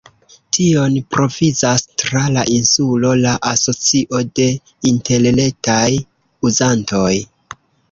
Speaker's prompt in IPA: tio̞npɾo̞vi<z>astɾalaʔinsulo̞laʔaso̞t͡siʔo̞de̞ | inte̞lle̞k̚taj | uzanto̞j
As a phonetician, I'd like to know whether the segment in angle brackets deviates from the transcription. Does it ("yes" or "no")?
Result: no